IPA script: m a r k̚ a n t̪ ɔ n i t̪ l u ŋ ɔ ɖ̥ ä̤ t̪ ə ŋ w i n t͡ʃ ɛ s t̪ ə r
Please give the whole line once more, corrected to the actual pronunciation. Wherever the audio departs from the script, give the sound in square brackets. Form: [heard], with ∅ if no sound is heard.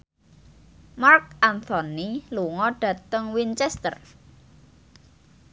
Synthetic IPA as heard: m a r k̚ a n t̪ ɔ n i [∅] l u ŋ ɔ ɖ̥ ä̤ t̪ ə ŋ w i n t͡ʃ ɛ s t̪ ə r